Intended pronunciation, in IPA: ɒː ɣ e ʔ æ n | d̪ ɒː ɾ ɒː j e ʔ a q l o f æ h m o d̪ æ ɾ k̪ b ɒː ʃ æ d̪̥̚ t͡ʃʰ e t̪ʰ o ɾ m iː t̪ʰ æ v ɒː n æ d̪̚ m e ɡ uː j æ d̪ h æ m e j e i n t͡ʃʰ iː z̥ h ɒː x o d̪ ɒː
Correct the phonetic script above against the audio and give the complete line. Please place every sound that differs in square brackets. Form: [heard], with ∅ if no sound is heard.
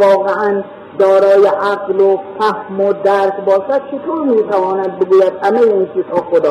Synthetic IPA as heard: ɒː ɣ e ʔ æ n | d̪ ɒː ɾ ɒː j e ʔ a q l o f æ h m o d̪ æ ɾ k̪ b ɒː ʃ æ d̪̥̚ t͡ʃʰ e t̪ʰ o ɾ m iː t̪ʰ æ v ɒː n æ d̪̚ [b] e ɡ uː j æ d̪ h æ m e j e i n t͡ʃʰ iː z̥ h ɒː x o d̪ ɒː